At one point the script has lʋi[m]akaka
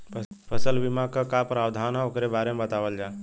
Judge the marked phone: correct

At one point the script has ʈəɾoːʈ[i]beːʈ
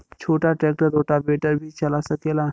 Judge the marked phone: incorrect: a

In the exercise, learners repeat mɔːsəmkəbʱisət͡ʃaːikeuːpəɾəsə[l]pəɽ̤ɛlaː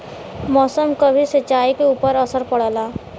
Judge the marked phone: incorrect: ɾ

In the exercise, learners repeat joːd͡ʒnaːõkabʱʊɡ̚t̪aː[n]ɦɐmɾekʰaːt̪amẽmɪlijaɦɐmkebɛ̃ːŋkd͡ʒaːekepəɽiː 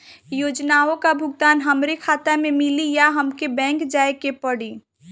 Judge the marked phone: correct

